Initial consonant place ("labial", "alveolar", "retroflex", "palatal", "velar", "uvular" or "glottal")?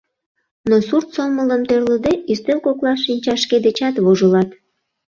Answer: alveolar